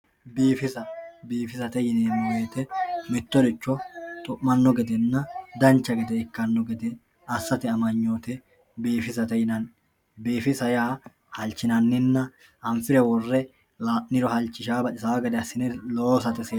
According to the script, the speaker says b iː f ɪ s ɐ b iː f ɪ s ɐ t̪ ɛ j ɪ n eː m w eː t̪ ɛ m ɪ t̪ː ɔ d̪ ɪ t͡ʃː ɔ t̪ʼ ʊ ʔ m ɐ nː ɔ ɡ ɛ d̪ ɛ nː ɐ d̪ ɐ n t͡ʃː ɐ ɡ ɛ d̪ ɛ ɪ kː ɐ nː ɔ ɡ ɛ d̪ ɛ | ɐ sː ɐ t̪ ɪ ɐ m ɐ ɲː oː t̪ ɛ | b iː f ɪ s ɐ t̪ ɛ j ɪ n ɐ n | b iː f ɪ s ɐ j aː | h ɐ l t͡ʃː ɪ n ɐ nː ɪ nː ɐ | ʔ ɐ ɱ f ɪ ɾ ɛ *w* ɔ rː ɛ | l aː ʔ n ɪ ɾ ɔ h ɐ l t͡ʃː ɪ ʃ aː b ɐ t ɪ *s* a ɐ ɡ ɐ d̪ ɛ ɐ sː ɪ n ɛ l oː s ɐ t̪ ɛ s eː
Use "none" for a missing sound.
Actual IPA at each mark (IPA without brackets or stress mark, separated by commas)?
w, s